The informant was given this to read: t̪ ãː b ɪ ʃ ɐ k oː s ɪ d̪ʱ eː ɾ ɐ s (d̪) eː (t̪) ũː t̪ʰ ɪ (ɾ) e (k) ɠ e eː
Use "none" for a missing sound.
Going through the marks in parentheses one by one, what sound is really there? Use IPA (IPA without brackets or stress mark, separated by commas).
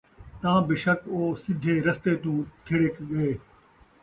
t̪, t̪, ɽ, k